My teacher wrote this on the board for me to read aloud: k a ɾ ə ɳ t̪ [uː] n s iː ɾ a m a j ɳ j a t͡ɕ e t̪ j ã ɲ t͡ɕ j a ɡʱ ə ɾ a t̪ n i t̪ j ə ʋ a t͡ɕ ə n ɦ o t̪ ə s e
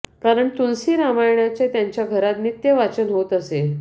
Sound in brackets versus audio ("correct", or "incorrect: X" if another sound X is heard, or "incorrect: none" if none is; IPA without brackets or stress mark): incorrect: u